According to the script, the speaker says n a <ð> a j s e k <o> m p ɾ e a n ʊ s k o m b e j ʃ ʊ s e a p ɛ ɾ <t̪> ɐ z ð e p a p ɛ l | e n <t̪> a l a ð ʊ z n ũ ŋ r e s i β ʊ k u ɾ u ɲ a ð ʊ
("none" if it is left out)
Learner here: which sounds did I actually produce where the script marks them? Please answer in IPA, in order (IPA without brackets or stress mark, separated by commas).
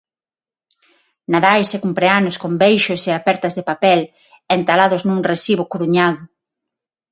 ð, u, t̪, t̪